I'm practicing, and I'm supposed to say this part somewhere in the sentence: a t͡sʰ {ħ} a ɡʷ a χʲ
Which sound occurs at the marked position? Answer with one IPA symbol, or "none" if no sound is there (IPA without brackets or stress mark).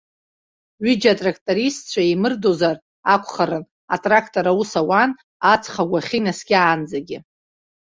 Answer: χ